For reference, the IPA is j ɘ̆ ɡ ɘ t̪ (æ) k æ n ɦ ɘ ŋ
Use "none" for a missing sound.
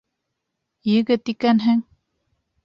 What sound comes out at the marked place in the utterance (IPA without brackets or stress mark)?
i